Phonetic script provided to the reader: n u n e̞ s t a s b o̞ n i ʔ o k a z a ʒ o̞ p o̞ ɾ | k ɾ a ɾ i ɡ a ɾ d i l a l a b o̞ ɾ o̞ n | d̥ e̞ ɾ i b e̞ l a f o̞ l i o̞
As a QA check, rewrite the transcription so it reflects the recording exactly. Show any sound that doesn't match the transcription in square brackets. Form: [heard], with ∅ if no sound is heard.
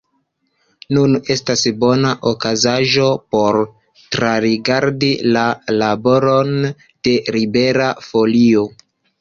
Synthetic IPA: n u n e̞ s t a s b o̞ n [a] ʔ o k a z a ʒ o̞ p o̞ ɾ | [t] ɾ a ɾ i ɡ a ɾ d i l a l a b o̞ ɾ o̞ n | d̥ e̞ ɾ i b e̞ [ɾ] a f o̞ l i o̞